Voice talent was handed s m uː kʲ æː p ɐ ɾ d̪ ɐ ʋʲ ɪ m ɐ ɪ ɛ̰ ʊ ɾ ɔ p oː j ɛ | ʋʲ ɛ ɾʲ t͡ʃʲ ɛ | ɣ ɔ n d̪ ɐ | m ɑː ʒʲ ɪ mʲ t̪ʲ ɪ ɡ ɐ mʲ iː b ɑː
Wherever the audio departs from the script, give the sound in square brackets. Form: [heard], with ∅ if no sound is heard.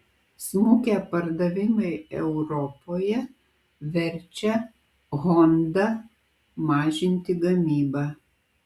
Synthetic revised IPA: s m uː kʲ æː p ɐ ɾ d̪ ɐ ʋʲ ɪ m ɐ ɪ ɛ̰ ʊ ɾ ɔ p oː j ɛ | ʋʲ ɛ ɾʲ t͡ʃʲ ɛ | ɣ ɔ n d̪ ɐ | m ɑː ʒʲ ɪ [nʲ] t̪ʲ ɪ ɡ ɐ mʲ iː b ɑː